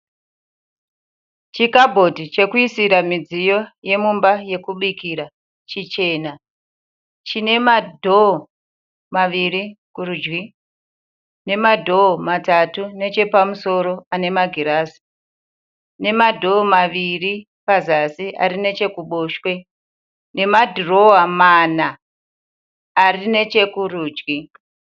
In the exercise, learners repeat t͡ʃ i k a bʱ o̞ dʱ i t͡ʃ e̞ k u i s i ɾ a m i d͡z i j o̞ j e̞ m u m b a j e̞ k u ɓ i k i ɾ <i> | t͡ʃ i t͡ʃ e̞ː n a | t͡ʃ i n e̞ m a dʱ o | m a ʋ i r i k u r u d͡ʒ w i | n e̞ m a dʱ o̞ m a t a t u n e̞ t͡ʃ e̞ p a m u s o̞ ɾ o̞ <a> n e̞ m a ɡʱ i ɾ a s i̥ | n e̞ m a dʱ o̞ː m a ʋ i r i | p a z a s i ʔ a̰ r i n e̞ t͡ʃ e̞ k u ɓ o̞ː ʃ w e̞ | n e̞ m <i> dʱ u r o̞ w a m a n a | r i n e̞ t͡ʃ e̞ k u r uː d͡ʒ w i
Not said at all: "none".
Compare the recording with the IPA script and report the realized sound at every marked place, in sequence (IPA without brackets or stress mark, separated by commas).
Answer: a, a, a